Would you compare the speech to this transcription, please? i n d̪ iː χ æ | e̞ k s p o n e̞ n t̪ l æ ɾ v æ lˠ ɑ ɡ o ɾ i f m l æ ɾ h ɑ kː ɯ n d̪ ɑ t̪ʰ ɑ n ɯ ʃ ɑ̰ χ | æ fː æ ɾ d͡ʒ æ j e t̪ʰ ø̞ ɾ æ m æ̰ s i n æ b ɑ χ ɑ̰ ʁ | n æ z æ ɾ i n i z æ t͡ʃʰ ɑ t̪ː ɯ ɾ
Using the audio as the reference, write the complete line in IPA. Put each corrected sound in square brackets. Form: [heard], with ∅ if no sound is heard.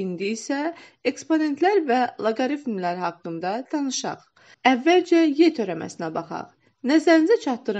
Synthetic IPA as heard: i n d̪ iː [s] æ | e̞ k s p o n e̞ n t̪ l æ ɾ v æ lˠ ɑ ɡ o ɾ i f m l æ ɾ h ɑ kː ɯ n d̪ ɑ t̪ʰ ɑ n ɯ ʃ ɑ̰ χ | æ [vː] æ [l] d͡ʒ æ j e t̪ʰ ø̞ ɾ æ m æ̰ s i n æ b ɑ χ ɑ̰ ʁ | n æ z æ ɾ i n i z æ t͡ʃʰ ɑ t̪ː ɯ ɾ

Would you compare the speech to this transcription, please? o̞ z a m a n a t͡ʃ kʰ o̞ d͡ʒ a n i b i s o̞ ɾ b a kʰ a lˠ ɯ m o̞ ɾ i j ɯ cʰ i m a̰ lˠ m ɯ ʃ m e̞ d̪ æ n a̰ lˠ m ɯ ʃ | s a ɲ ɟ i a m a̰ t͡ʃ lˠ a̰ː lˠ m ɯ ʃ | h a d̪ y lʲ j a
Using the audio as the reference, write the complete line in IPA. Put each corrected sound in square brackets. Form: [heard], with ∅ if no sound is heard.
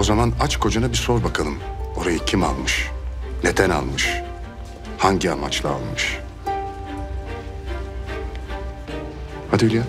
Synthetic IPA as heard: o̞ z a m a n a t͡ʃ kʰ o̞ d͡ʒ a n [a] b i s o̞ ɾ b a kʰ a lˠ ɯ m o̞ ɾ [a] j ɯ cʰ i m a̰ lˠ m ɯ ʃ [n] e̞ d̪ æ n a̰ lˠ m ɯ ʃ | [h] a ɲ ɟ i a m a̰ t͡ʃ lˠ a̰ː lˠ m ɯ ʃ | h a d̪ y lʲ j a

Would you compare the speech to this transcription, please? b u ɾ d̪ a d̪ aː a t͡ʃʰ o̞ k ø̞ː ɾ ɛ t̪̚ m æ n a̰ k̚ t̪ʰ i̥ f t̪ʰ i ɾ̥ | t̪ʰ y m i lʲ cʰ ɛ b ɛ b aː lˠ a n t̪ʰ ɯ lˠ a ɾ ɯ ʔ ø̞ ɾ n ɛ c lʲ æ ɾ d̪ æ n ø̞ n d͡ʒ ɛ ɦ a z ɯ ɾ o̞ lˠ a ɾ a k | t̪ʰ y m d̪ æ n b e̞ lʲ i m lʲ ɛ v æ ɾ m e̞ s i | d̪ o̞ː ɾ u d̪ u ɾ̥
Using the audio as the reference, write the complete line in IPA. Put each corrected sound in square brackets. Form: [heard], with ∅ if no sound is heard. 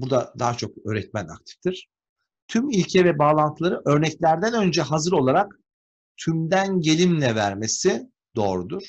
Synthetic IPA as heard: b u ɾ d̪ a d̪ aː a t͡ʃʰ o̞ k ø̞ː ɾ ɛ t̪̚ m æ n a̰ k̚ t̪ʰ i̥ f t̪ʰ i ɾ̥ | t̪ʰ y m i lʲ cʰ ɛ [v] ɛ b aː lˠ a n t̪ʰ ɯ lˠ a ɾ ɯ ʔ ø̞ ɾ n ɛ c lʲ æ ɾ d̪ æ n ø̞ n d͡ʒ ɛ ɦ a z ɯ ɾ o̞ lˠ a ɾ a k | t̪ʰ y m d̪ æ n [ɟ] e̞ lʲ i m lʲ ɛ v æ ɾ m e̞ s i | d̪ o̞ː ɾ u d̪ u ɾ̥

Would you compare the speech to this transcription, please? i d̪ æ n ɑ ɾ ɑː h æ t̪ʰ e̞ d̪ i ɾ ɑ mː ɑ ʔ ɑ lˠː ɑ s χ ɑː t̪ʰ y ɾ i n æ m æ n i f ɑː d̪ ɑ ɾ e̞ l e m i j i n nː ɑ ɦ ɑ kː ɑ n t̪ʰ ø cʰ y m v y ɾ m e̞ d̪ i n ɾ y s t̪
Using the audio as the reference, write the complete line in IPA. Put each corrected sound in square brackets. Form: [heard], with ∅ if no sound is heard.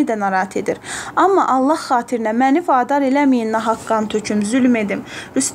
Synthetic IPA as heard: i d̪ æ n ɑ ɾ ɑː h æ t̪ʰ e̞ d̪ i ɾ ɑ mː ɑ ʔ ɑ lˠː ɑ [h] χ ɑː t̪ʰ [i] ɾ i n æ m æ n i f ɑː d̪ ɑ ɾ e̞ l [æ] m i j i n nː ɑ ɦ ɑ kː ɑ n t̪ʰ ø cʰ y m [z] y [l] m e̞ d̪ i [m] ɾ y s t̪

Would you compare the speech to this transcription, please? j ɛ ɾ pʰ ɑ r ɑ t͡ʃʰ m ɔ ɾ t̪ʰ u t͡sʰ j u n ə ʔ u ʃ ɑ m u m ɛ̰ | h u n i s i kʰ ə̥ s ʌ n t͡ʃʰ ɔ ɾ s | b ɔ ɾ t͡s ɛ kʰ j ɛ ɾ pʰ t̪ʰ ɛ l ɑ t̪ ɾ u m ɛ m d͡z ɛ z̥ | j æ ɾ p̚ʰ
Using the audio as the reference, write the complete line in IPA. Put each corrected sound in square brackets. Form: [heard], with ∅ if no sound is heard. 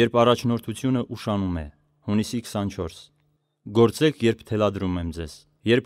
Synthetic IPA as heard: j ɛ ɾ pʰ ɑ r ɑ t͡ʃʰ [n] ɔ ɾ t̪ʰ u t͡sʰ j u n ə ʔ u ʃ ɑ [n] u m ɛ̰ | h u n i s i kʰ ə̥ s [ɑ] n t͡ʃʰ ɔ ɾ s | [ɡ] ɔ ɾ t͡s ɛ kʰ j ɛ ɾ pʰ t̪ʰ ɛ l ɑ [d̪] ɾ u m ɛ m d͡z ɛ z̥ | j [ɛ] ɾ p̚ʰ

